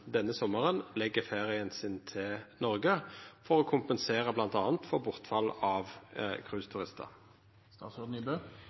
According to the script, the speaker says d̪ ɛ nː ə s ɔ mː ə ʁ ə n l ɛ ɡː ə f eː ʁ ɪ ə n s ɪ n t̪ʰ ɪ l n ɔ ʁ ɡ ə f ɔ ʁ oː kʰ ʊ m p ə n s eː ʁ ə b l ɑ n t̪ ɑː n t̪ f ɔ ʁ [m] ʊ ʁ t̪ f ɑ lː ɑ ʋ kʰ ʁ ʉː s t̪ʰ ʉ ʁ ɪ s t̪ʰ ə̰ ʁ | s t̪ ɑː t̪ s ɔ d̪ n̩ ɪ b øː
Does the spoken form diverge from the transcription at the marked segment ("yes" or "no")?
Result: yes